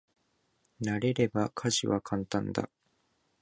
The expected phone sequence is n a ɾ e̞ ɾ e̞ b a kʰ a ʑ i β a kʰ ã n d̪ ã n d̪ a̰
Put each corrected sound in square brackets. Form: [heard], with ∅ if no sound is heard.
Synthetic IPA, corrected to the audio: n a ɾ e̞ ɾ e̞ b a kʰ a ʑ i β a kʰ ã n [t̪] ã n d̪ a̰